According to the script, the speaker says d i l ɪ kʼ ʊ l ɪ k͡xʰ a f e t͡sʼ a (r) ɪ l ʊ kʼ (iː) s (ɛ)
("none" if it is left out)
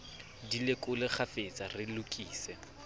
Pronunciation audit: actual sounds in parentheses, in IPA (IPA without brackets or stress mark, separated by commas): r, iː, ɛ